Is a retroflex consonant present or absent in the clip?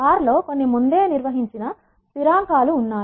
absent